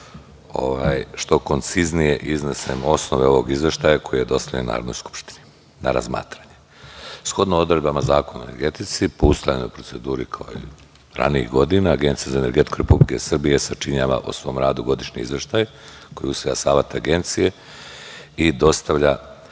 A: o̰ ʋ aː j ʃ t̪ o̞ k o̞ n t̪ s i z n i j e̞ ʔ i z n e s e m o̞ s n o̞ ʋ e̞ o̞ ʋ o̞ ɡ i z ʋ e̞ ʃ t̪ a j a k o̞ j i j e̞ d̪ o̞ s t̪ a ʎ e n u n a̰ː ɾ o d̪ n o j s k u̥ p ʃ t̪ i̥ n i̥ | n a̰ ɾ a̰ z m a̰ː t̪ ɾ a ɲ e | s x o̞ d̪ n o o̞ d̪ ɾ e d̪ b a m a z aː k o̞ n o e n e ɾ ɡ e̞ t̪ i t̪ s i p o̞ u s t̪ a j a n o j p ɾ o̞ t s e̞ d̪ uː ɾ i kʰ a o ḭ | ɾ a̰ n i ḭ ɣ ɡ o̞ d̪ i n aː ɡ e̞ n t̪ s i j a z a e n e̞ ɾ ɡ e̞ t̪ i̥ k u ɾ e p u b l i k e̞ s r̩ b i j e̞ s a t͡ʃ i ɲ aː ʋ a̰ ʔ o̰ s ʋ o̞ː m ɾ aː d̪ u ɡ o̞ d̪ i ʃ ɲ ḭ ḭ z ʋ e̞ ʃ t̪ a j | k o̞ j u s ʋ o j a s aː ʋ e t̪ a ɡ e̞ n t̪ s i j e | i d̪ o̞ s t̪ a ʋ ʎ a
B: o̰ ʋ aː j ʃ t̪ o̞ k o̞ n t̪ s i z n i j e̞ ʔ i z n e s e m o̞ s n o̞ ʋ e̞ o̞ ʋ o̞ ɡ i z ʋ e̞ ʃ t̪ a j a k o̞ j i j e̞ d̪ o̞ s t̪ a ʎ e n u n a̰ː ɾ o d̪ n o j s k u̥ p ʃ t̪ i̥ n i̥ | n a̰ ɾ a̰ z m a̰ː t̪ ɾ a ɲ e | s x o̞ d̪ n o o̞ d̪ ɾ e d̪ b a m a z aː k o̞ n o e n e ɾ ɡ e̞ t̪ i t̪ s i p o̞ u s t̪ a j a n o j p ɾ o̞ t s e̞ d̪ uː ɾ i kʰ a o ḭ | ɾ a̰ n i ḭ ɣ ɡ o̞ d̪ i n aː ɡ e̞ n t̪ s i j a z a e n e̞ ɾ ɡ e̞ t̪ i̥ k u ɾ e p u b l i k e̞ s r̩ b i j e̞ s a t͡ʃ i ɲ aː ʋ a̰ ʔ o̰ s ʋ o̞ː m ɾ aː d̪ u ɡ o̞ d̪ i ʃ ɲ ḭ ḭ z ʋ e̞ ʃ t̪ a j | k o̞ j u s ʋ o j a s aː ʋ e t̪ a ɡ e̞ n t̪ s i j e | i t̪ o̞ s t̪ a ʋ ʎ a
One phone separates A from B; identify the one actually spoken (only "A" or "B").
A